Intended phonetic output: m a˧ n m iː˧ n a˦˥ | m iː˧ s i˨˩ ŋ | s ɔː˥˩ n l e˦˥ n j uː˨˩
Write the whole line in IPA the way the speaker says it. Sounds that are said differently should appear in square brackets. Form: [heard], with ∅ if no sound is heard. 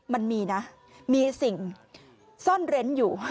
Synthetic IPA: m a˧ n m iː˧ n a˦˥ | m iː˧ s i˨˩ ŋ | s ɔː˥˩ n [ɾ] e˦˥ n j uː˨˩